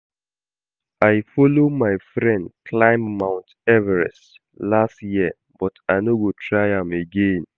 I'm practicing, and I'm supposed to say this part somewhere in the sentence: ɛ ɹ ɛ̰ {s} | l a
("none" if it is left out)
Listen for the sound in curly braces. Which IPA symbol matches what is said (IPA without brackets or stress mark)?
s